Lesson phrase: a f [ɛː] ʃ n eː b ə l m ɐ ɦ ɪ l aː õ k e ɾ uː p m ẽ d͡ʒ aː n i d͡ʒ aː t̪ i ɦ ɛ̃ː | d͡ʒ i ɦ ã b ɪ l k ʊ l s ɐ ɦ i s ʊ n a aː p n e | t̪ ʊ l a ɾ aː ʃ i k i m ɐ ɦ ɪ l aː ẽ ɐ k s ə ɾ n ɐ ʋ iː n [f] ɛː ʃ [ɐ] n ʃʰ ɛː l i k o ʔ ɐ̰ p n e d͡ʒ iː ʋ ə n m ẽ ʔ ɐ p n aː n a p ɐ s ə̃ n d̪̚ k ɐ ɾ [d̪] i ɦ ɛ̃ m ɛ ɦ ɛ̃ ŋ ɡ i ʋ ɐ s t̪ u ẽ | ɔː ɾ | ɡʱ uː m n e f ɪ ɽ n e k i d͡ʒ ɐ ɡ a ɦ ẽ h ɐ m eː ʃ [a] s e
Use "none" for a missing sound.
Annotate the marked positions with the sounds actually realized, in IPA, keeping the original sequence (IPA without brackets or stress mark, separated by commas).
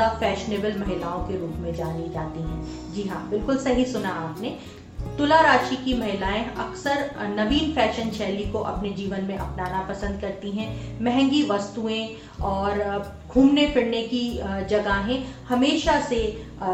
ɛː, f, ə, t̪, a